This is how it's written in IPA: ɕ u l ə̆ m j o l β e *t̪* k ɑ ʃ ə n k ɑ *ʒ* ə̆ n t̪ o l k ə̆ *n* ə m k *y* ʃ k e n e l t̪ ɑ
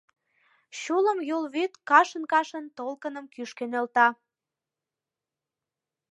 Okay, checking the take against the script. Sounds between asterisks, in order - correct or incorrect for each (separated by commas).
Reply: correct, incorrect, correct, correct